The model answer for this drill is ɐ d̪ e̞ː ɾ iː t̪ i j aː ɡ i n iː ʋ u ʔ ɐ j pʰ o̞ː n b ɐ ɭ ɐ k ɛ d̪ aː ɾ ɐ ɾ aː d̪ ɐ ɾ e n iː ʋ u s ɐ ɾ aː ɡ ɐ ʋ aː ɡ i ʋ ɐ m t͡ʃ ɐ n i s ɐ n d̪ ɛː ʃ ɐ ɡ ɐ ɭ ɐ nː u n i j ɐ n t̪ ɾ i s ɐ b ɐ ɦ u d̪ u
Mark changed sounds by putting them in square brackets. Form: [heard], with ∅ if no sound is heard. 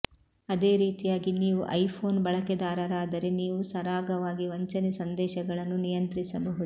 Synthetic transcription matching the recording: ɐ d̪ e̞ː ɾ iː t̪ i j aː ɡ i n iː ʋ u ʔ ɐ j pʰ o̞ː n b ɐ ɭ ɐ k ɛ d̪ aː ɾ ɐ ɾ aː d̪ ɐ ɾ e n iː ʋ u s ɐ ɾ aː ɡ ɐ ʋ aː ɡ i ʋ ɐ [ɲ] t͡ʃ ɐ n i s ɐ n d̪ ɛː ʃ ɐ ɡ ɐ ɭ ɐ nː u n i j ɐ n t̪ ɾ i s ɐ b ɐ ɦ u d̪ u